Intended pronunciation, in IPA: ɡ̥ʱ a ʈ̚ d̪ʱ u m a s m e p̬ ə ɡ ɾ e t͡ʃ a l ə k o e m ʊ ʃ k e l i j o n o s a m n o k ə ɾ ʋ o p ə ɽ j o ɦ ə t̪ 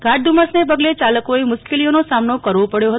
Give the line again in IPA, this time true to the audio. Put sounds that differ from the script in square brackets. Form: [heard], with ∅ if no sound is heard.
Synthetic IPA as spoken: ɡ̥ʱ a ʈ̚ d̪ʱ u m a s [n] e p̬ ə ɡ [l] e t͡ʃ a l ə k o e m ʊ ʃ k e l i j o n o s a m n o k ə ɾ ʋ o p ə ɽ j o ɦ ə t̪